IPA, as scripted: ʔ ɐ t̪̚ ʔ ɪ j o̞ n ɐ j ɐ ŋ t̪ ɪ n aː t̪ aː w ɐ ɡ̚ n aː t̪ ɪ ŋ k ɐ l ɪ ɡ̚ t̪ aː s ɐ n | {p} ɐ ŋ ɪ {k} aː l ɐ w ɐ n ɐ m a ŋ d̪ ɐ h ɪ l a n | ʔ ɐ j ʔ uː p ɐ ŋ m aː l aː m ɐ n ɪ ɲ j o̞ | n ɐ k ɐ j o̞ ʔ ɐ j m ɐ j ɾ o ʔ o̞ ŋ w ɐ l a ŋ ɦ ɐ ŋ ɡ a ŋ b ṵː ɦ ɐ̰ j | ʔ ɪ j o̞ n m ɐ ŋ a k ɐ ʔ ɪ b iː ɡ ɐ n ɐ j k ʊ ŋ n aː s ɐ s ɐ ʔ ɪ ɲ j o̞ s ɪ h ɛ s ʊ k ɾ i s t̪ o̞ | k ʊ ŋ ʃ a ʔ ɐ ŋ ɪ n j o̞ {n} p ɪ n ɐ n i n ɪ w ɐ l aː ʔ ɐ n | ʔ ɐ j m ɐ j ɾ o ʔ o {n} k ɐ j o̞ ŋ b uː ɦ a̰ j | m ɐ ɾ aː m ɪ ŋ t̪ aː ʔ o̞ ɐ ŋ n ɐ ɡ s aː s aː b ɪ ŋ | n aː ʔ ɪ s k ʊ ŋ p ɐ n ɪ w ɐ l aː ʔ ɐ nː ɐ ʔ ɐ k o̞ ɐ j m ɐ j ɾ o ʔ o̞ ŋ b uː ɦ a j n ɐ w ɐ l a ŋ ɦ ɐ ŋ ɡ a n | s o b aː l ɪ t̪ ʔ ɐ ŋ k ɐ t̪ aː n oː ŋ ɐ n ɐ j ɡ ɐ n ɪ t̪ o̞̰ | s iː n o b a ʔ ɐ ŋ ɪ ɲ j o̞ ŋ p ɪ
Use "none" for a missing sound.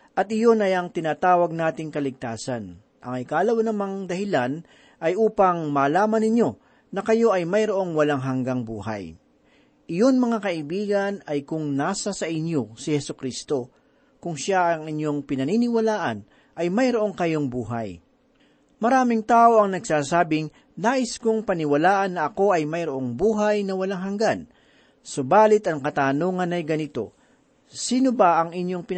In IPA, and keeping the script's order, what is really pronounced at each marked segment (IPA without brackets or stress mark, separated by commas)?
ʔ, k, ŋ, ŋ